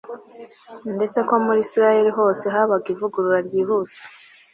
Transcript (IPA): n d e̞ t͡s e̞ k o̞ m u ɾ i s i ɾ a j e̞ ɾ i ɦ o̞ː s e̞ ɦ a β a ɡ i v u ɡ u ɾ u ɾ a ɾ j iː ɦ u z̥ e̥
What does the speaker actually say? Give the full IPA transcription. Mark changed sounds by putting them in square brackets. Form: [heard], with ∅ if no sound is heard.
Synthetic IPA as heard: n d e̞ t͡s e̞ k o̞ m u ɾ i s i ɾ a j e̞ ɾ i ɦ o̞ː s e̞ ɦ a β a ɡ i v u ɡ u ɾ u ɾ a ɾ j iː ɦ u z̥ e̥